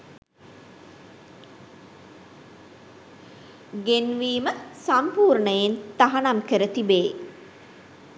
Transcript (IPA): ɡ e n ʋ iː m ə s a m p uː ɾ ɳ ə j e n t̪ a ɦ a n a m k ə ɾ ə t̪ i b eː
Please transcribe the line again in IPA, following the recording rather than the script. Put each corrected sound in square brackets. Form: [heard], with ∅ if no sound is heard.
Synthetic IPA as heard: ɡ e n ʋ iː m ə s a m p uː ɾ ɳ ə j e n t̪ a ɦ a n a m k ə ɾ ə t̪ i b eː

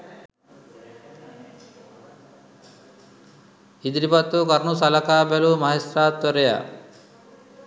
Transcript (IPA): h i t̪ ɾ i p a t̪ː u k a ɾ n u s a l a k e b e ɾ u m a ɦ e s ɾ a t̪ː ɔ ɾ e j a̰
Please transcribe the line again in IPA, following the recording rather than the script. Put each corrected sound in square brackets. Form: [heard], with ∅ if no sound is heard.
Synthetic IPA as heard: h i [d̪] ɾ i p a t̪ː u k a ɾ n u s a l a k [a] b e [l] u m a ɦ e s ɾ a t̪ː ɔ ɾ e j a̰

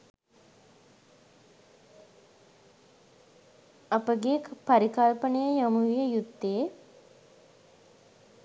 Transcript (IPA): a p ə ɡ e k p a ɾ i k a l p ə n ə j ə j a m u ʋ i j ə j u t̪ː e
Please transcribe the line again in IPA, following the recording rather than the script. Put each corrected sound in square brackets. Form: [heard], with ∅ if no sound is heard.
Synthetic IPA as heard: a p ə ɡ e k p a ɾ i k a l p ə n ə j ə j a m u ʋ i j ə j u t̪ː e

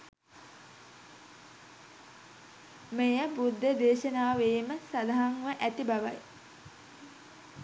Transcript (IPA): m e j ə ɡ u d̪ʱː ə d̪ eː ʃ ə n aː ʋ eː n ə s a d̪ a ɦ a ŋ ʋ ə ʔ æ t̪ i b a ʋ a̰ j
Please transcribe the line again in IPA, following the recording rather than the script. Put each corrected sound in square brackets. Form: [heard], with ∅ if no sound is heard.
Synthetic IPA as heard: m e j ə [b] u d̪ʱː ə d̪ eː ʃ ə n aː ʋ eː [m] ə s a d̪ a ɦ a ŋ ʋ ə ʔ æ t̪ i b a ʋ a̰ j

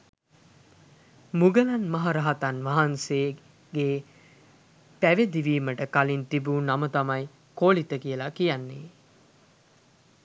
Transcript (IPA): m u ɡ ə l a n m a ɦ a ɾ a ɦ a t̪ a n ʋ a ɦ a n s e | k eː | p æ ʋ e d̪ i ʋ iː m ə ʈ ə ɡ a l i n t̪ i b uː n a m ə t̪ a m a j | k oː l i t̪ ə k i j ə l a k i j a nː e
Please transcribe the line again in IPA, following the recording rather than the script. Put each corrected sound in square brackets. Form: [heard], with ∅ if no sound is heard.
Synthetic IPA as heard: m u ɡ ə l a n m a ɦ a ɾ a ɦ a t̪ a n ʋ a ɦ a n s e | [ɡ] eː | p æ ʋ e d̪ i ʋ iː m ə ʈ ə [k] a l i n t̪ i b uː n a m ə t̪ a m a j | k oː l i t̪ ə k i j ə l a k i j a nː e

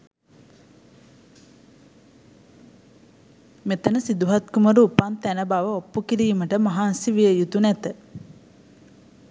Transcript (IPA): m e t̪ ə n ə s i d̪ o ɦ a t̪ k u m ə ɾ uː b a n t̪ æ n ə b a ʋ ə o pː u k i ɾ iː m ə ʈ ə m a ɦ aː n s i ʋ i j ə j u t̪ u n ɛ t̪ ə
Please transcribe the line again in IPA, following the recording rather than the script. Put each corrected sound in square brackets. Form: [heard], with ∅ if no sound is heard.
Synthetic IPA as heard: m e t̪ ə n ə s i d̪ [u] ɦ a t̪ k u m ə ɾ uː [p] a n t̪ æ n ə b a ʋ ə o pː u k i ɾ iː m ə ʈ ə m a ɦ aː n s i ʋ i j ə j u t̪ u n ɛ t̪ ə

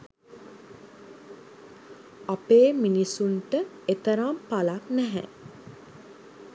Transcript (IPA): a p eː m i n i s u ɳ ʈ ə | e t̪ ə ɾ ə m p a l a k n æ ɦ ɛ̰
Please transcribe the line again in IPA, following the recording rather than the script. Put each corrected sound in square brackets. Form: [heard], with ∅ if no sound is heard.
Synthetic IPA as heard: a p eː m i n i s u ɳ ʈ ə | e t̪ ə ɾ [a] m p a l a k n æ ɦ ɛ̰

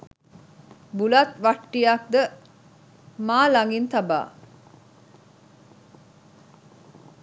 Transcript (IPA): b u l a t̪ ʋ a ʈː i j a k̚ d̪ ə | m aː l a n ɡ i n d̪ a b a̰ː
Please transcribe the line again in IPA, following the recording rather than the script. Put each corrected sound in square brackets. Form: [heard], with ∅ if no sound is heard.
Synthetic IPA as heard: b u l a t̪ ʋ a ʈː i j a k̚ d̪ ə | m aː l a [ŋ] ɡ i n [t̪] a b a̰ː

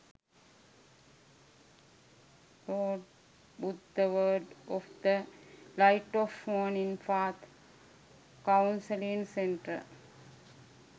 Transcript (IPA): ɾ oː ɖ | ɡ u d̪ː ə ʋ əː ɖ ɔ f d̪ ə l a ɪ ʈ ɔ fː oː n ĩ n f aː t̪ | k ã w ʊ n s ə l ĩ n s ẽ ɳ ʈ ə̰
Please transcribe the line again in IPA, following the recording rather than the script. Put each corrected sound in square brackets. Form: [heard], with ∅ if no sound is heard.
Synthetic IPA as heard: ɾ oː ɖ | [b] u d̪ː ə ʋ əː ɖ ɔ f d̪ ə l a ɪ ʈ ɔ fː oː n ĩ n f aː t̪ | k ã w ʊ n s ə l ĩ n s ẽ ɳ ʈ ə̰

